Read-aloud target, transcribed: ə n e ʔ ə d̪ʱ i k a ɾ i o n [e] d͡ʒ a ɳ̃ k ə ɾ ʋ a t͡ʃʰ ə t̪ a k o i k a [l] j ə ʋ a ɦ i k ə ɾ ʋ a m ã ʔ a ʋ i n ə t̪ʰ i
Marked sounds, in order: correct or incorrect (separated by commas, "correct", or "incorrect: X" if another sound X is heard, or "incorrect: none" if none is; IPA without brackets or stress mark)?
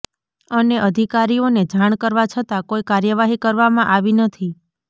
correct, incorrect: ɾ